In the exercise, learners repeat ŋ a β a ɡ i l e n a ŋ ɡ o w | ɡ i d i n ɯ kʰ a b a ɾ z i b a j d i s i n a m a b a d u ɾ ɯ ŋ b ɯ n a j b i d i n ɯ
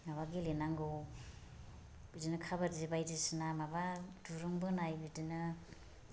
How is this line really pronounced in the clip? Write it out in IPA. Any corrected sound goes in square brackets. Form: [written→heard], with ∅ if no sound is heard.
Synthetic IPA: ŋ a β a ɡ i l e n a ŋ ɡ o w | [ɡ→b] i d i n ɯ kʰ a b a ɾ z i b a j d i s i n a m a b a d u ɾ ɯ ŋ b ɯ n a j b i d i n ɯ